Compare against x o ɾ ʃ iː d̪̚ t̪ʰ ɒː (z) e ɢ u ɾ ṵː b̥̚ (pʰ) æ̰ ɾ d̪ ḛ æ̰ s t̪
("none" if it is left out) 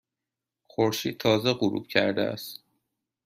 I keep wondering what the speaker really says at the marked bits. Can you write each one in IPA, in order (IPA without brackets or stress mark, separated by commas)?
z, cʰ